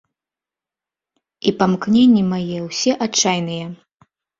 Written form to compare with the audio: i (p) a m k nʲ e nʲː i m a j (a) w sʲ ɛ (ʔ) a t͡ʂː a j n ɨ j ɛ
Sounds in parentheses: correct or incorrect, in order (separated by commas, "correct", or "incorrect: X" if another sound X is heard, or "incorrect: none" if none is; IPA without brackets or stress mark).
correct, incorrect: ɛ, correct